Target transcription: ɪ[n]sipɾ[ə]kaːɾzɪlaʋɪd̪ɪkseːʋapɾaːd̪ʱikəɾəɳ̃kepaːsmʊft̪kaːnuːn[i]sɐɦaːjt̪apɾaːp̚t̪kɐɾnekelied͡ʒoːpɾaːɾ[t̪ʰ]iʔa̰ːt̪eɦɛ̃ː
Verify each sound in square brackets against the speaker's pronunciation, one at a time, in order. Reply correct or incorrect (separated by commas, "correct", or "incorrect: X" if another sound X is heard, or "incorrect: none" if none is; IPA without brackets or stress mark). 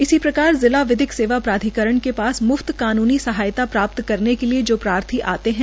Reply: incorrect: none, incorrect: ɐ, correct, correct